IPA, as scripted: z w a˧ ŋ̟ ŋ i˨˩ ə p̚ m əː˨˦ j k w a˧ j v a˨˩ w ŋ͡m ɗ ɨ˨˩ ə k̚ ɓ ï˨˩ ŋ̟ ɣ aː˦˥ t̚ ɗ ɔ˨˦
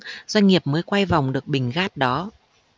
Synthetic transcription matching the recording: z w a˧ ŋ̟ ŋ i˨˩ ə p̚ m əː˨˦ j k w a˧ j v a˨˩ w ŋ͡m ɗ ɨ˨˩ ə k̚ ɓ ï˨˩ ŋ̟ ɣ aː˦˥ t̚ ɗ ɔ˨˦

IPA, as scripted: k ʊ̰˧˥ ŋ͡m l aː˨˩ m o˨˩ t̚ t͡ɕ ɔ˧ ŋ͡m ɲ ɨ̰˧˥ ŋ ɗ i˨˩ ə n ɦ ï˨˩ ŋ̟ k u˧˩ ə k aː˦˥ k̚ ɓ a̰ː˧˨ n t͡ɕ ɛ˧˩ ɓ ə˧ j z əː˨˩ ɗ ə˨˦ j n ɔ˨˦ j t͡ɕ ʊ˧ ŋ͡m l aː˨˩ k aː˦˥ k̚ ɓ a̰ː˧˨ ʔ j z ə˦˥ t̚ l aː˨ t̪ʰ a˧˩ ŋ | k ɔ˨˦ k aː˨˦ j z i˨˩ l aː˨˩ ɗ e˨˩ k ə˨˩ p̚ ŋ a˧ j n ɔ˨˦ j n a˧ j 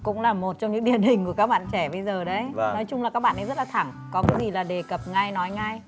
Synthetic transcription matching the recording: k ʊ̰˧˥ ŋ͡m l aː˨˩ m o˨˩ t̚ t͡ɕ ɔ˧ ŋ͡m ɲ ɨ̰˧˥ ŋ ɗ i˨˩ ə n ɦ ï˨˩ ŋ̟ k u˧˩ ə k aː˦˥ k̚ ɓ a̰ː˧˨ n t͡ɕ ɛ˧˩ ɓ ə˧ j z əː˨˩ ɗ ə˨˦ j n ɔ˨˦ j t͡ɕ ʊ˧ ŋ͡m l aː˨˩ k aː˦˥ k̚ ɓ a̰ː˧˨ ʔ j z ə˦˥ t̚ l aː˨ t̪ʰ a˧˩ ŋ | k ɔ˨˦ k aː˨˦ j z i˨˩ l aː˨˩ ɗ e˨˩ k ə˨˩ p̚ ŋ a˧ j n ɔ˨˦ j ŋ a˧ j

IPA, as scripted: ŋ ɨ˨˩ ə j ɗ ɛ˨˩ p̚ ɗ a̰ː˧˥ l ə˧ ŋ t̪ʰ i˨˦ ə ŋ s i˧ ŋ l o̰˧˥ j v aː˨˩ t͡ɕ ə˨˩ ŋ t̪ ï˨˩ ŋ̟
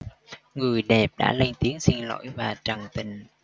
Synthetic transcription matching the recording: ŋ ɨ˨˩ ə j ɗ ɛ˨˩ p̚ ɗ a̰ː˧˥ l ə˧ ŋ t̪ i˨˦ ə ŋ s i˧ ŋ l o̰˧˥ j v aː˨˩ t͡ɕ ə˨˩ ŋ t̪ ï˨˩ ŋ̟

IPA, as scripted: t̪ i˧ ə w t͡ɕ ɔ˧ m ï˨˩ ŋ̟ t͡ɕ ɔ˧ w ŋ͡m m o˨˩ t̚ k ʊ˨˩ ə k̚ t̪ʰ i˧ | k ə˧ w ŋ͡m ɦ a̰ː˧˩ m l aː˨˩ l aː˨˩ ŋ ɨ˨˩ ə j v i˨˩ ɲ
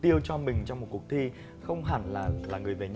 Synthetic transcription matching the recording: t̪ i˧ ə w t͡ɕ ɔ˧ m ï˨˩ ŋ̟ t͡ɕ ɔ˧ w ŋ͡m m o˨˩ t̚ k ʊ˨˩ ə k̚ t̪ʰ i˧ | x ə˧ w ŋ͡m ɦ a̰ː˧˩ n l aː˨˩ l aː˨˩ ŋ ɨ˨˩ ə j v e˨˩ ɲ

